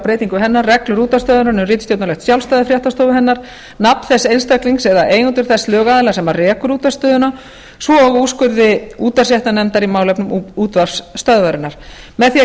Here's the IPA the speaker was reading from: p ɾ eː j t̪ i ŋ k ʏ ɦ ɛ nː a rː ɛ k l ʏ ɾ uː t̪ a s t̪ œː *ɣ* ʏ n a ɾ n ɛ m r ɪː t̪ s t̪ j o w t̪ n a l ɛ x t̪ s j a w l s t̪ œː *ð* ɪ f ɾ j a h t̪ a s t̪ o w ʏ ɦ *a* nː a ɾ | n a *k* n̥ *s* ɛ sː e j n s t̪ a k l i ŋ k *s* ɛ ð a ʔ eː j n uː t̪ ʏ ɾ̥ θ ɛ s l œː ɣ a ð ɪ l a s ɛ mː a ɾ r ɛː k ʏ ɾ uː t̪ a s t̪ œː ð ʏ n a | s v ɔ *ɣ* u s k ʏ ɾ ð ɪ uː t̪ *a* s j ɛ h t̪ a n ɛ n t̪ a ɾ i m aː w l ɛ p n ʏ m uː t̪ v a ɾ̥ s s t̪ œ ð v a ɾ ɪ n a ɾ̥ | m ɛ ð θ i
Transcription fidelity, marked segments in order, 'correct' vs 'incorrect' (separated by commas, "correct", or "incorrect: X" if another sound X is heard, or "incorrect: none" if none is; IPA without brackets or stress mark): incorrect: ð, correct, incorrect: ɛ, incorrect: p, incorrect: θ, correct, correct, correct